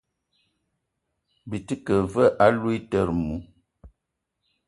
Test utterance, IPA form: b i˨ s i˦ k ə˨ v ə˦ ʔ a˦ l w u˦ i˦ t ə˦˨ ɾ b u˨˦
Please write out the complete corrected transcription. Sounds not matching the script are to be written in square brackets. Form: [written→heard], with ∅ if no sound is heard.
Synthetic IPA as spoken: b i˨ [s→t] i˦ k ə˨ v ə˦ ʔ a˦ l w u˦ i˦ t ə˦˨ ɾ [b→m] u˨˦